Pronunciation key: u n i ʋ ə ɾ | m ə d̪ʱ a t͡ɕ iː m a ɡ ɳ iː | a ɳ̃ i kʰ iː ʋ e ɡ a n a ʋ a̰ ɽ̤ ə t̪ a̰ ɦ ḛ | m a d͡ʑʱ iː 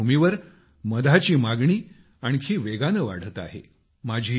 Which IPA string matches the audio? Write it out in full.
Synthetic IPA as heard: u m i ʋ ə ɾ | m ə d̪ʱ a t͡ɕ iː m a ɡ ɳ iː | a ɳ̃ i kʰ iː ʋ e ɡ a n ə ʋ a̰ ɽ̤ ə t̪ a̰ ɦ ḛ | m a d͡ʑʱ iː